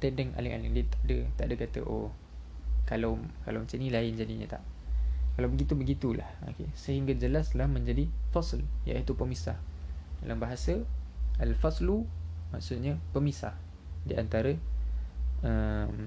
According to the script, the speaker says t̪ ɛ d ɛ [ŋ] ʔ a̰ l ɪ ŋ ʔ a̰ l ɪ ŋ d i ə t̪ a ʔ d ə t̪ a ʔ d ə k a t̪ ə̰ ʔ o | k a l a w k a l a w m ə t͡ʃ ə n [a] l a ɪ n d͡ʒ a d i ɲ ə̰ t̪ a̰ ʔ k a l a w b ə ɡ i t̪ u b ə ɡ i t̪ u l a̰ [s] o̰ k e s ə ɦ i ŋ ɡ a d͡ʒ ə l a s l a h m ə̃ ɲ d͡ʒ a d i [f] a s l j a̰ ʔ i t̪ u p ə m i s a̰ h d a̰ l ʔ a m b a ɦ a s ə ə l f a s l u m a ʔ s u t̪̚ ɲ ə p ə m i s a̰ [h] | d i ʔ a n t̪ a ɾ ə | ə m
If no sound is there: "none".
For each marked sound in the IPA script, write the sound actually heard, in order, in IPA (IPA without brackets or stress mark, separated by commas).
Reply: ŋ, i, h, f, h